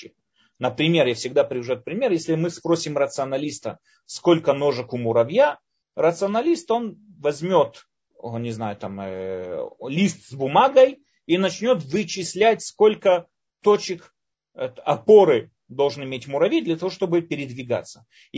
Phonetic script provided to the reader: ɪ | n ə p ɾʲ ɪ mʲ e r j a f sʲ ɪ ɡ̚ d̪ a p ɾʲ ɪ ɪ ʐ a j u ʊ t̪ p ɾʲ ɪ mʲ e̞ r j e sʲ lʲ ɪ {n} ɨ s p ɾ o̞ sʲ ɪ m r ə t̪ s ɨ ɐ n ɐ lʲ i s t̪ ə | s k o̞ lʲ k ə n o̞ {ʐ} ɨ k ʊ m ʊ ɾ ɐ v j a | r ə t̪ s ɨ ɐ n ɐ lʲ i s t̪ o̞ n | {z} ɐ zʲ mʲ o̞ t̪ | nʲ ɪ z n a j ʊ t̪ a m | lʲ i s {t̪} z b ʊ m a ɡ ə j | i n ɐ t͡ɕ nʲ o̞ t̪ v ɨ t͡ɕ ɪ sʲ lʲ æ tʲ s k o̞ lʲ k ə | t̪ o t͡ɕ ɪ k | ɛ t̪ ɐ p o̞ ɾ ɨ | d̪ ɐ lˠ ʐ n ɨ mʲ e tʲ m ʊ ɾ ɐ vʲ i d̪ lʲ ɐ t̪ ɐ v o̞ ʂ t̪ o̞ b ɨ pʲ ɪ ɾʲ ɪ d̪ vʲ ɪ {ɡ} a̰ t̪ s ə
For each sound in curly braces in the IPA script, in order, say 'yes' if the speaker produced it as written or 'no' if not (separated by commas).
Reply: no, yes, no, yes, yes